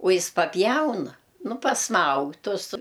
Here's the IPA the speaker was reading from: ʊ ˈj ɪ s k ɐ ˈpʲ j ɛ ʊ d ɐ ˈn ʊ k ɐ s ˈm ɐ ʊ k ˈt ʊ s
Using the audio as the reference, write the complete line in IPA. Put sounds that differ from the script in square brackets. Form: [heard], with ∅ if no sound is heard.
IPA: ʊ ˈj ɪ s [p] ɐ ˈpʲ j ɛ ʊ [n] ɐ ˈn ʊ [p] ɐ s ˈm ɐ ʊ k ˈt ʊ s